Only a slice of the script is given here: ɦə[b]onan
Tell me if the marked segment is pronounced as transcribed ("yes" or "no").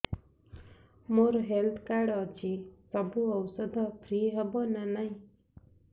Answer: yes